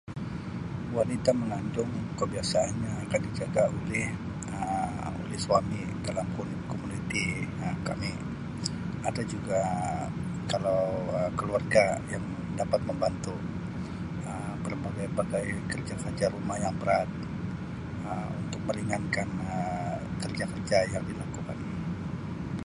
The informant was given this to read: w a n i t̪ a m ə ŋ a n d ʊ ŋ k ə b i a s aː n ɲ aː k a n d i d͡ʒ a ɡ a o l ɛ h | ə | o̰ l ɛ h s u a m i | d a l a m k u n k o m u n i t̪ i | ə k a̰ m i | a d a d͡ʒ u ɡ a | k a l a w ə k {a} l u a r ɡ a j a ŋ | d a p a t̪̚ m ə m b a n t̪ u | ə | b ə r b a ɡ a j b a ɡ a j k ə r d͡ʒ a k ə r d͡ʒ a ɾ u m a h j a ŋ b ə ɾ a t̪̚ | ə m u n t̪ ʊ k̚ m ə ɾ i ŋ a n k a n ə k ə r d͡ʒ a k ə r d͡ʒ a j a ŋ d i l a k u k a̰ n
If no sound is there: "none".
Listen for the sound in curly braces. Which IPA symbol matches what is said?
ə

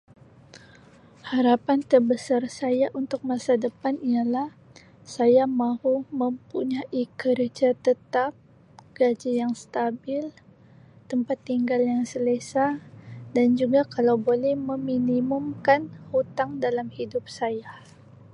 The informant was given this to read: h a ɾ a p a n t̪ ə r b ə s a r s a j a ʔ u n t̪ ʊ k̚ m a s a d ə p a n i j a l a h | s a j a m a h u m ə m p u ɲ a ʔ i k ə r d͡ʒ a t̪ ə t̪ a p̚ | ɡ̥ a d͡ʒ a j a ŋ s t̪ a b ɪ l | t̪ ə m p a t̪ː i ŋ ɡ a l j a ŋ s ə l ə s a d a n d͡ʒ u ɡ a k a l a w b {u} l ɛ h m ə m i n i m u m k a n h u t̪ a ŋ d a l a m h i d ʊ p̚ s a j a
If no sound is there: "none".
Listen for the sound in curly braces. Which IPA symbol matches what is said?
o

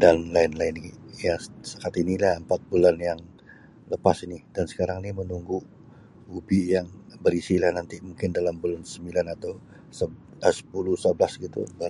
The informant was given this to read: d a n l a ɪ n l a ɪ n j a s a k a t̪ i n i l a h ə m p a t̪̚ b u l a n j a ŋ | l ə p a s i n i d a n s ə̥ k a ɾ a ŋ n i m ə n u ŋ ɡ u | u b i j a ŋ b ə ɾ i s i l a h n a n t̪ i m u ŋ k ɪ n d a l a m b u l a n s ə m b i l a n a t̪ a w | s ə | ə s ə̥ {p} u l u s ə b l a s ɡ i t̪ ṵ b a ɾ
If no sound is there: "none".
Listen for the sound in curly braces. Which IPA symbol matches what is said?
p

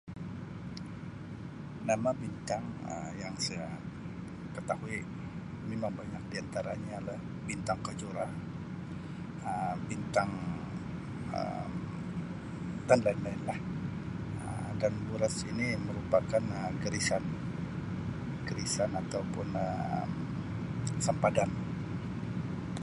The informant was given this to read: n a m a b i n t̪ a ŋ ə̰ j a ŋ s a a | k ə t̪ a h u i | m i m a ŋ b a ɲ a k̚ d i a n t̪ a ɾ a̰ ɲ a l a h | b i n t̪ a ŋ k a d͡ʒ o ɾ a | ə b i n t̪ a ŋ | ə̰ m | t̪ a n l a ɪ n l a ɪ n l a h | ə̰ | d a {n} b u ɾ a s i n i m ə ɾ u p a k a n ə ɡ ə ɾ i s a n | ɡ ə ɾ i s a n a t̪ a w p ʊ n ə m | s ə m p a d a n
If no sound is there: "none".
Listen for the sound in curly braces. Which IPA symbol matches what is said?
n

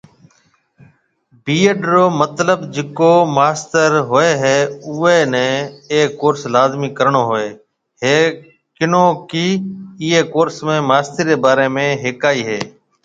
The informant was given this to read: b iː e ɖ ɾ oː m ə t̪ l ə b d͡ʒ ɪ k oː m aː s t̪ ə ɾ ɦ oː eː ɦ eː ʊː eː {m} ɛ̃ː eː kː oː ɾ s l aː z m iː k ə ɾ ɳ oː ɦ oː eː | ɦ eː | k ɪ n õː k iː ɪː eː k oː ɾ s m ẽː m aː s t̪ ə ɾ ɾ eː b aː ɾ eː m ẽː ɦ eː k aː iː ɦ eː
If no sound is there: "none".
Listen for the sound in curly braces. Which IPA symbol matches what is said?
n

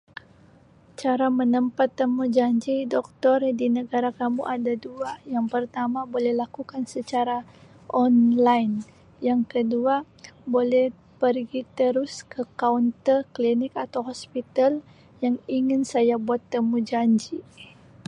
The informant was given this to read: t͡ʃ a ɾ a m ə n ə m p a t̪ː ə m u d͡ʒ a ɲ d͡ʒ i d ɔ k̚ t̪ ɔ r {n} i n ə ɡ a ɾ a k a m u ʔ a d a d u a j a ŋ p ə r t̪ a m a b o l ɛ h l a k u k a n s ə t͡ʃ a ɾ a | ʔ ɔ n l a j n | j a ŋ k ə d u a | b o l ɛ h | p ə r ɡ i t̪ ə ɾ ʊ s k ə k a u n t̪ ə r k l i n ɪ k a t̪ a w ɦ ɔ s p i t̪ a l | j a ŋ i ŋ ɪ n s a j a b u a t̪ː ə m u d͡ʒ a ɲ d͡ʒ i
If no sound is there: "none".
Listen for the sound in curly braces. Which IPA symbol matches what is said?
d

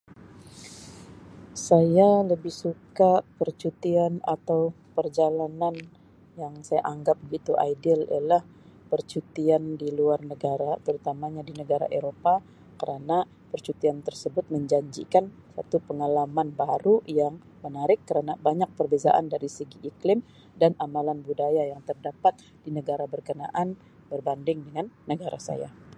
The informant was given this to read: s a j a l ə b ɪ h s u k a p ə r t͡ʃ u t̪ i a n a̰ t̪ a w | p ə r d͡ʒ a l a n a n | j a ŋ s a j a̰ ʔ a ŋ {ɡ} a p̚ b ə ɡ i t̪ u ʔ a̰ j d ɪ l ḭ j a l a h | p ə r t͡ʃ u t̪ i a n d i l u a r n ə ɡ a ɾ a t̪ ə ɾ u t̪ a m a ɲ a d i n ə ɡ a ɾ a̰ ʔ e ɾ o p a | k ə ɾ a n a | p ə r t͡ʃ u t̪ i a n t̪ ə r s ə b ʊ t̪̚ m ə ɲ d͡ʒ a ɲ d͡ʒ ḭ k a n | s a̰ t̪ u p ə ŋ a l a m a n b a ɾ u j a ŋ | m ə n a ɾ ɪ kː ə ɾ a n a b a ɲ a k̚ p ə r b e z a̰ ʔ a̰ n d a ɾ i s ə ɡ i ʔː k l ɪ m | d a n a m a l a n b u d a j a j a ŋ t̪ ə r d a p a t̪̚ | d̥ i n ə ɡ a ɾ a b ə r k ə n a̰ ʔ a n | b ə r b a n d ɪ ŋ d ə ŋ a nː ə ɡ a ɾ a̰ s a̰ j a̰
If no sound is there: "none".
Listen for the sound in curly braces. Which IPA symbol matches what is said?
ɡ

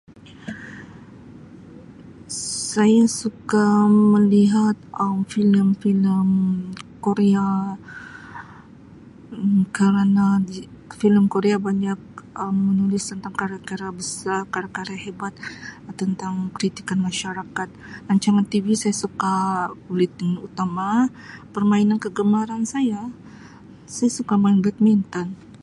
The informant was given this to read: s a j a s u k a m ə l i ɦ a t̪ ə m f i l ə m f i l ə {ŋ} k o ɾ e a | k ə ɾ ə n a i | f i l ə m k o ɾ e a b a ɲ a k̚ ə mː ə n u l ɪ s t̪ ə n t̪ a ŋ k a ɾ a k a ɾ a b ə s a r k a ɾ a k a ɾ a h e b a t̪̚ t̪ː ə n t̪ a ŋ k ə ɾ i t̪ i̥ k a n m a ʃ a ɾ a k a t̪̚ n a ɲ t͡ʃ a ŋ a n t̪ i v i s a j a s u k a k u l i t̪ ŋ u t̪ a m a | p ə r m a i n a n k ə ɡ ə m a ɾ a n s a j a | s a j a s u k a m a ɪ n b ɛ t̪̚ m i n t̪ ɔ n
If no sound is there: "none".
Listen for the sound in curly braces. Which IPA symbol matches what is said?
m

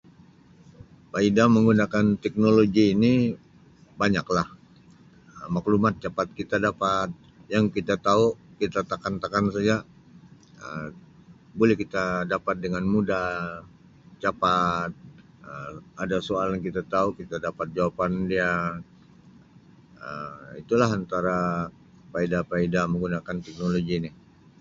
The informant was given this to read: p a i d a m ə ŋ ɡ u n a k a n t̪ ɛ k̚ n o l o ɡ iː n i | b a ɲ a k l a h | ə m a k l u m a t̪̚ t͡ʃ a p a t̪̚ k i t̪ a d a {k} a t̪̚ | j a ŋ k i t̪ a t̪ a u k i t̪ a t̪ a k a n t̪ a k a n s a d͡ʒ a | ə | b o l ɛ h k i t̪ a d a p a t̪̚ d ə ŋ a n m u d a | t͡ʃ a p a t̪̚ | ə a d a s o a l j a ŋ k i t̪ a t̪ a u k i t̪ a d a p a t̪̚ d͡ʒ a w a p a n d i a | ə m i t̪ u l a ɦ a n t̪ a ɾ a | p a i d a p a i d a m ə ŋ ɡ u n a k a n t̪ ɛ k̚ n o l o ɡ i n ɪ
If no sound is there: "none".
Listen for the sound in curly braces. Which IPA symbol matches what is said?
p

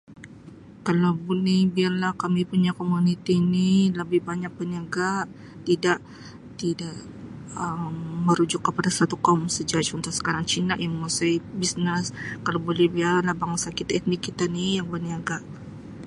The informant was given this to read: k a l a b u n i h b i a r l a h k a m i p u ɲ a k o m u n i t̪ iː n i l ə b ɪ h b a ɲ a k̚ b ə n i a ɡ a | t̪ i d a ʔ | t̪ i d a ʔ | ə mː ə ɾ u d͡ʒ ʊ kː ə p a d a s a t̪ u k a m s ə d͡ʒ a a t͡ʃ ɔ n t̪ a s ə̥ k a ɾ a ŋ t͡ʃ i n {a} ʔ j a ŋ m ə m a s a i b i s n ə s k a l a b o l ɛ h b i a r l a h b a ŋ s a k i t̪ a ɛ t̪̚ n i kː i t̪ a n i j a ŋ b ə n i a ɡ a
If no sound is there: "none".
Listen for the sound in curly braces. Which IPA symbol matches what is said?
a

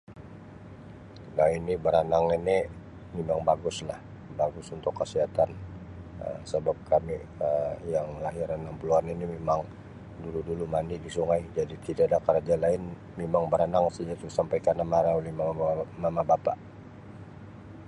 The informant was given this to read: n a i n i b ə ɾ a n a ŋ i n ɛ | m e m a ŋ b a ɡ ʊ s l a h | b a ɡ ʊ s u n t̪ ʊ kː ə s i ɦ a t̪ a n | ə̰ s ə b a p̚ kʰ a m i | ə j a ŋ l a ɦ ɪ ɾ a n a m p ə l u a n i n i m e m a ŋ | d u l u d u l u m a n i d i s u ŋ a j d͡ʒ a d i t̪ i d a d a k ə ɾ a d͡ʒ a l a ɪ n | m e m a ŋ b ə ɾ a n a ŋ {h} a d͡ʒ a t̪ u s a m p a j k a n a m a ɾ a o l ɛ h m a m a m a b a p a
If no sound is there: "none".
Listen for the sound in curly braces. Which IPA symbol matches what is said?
s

